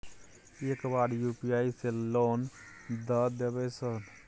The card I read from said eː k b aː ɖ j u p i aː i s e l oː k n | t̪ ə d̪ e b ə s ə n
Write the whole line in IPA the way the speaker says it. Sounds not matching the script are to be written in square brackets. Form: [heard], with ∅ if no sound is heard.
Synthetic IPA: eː k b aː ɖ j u p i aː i s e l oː [∅] n | [d̪] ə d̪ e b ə s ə n